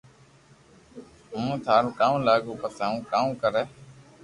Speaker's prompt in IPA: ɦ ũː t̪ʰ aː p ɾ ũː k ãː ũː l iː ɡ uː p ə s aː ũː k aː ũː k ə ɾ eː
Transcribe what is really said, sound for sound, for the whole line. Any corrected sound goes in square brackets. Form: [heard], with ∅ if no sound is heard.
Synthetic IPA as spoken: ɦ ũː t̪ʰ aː [∅] ɾ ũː k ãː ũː l [aː] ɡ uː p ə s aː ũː k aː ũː k ə ɾ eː